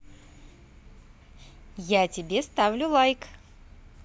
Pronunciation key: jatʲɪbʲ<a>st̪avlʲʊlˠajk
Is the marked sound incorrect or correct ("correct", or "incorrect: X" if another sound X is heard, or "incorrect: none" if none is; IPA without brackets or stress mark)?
incorrect: e